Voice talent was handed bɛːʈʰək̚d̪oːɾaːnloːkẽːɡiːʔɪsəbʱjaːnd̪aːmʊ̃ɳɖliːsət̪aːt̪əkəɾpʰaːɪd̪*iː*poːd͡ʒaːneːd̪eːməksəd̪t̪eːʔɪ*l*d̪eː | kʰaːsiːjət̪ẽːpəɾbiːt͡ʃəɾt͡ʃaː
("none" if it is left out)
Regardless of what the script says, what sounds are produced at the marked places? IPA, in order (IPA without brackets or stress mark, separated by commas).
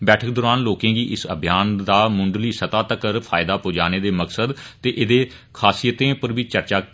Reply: aː, none